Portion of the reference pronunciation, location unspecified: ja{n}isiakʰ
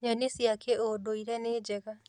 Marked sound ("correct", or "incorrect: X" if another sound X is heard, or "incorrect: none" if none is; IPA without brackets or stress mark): correct